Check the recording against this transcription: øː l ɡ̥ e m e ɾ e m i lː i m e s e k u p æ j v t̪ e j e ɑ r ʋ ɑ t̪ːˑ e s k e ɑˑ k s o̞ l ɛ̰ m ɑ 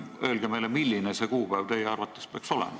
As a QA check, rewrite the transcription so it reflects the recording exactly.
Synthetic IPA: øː l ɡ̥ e m e l e m i lː i n e s e k uː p æ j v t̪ e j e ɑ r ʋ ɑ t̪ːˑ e s p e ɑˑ k s o̞ l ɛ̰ m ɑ